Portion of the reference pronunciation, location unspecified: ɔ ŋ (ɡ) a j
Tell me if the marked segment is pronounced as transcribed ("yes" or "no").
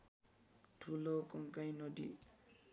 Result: no